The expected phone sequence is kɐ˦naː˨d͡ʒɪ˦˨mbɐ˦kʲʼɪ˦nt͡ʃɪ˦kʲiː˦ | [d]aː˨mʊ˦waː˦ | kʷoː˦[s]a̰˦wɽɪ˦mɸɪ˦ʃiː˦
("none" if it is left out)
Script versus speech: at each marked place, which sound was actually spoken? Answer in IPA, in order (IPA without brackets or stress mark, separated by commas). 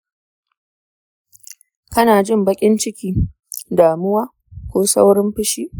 d, s